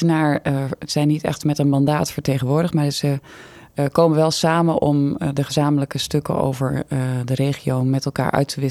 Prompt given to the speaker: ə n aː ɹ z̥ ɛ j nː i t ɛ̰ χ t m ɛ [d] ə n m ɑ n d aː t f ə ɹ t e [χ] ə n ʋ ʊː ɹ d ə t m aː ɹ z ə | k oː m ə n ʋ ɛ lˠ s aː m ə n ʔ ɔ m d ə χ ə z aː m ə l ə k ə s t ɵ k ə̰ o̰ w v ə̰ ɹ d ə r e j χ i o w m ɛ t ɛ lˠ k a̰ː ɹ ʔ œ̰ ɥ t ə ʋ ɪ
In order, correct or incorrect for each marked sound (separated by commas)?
incorrect, correct